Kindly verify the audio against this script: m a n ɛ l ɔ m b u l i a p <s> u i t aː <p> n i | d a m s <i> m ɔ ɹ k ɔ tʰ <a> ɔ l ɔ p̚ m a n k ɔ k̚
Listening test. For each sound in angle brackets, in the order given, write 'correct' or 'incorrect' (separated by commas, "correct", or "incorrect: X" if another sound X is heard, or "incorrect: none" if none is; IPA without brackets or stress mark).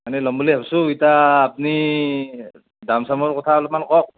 correct, correct, incorrect: a, correct